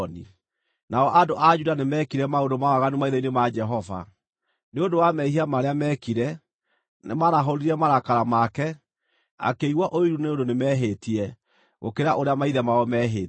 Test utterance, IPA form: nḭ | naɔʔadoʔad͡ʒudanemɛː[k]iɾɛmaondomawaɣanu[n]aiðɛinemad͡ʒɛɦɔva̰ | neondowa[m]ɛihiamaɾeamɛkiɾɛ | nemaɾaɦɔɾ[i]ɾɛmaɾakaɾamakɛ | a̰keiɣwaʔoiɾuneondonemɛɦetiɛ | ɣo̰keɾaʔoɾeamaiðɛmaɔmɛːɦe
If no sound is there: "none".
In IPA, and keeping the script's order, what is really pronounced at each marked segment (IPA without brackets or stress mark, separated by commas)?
k, m, m, i